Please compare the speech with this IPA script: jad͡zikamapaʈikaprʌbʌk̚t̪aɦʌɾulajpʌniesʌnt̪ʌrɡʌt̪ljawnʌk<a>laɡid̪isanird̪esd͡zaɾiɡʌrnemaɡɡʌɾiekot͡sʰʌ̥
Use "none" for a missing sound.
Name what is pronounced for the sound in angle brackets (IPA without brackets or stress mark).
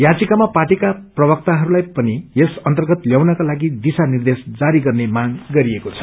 a